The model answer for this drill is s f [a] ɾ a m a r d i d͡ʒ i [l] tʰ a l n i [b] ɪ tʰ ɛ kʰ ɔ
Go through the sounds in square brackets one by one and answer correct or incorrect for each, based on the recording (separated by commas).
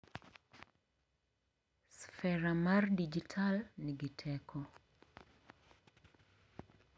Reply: incorrect, incorrect, incorrect